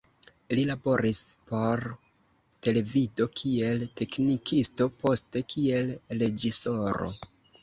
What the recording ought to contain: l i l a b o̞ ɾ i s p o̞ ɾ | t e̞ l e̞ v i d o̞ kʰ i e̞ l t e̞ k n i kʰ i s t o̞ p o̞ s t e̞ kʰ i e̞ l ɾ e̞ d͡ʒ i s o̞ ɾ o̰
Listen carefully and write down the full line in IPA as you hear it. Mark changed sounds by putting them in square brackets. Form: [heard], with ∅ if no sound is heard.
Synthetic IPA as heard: l i l a b o̞ ɾ i s p o̞ ɾ | t e̞ l e̞ v i d o̞ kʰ i e̞ l t e̞ k n i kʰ i s t o̞ p o̞ s t e̞ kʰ i e̞ l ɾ e̞ d͡ʒ i s o̞ ɾ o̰